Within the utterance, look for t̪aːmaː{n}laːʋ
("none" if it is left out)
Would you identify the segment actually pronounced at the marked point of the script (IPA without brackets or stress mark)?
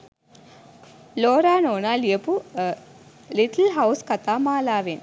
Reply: none